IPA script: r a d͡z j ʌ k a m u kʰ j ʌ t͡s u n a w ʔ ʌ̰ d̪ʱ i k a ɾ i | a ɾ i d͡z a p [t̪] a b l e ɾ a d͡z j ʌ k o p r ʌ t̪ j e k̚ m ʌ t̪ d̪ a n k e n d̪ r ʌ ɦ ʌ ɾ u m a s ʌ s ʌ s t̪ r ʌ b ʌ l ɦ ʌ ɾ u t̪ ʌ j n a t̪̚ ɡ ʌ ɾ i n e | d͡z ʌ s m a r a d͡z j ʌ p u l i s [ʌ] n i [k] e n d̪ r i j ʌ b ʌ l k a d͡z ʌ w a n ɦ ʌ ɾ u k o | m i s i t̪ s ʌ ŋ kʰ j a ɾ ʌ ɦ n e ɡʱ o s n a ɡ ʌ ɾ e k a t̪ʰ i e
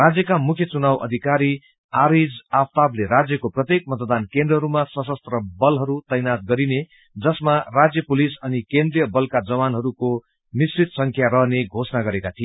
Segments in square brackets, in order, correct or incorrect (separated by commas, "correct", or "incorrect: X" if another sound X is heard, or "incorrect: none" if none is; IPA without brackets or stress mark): correct, correct, correct